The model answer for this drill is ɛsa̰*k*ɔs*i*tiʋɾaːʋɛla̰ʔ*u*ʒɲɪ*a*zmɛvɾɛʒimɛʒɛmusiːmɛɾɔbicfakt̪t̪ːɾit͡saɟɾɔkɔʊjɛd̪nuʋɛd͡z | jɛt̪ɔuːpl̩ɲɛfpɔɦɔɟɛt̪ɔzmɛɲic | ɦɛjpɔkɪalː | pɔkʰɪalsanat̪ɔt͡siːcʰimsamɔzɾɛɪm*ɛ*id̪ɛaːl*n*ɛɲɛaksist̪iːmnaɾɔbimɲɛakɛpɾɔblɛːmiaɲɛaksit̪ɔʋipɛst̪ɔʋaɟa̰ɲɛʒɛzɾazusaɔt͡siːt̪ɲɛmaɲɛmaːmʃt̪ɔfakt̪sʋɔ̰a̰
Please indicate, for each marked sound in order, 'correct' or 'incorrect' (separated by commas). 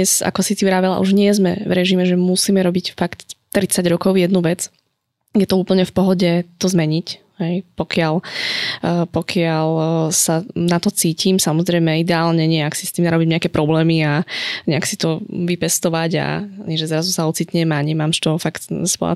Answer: correct, correct, correct, incorrect, correct, incorrect